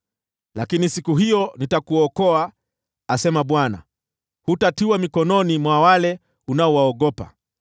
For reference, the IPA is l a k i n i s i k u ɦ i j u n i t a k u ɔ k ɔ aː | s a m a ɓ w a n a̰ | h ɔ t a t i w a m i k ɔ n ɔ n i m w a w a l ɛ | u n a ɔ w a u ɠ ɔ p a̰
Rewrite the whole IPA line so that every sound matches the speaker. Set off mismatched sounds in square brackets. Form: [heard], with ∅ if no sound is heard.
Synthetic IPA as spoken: l a k i n i s i k u ɦ i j [ɔ] n i t a k u ɔ k ɔ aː | s [ɛ] m a ɓ w a n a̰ | h [u] t a t i w a m i k ɔ n ɔ n i m w a w a l ɛ | u n a ɔ w a [ɔ] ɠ ɔ p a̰